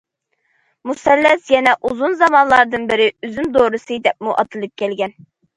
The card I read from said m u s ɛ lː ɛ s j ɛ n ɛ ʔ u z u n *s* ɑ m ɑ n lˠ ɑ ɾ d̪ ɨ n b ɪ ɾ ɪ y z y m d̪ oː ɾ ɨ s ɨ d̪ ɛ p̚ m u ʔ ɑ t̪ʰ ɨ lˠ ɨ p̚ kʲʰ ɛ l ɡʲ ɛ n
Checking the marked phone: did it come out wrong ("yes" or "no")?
yes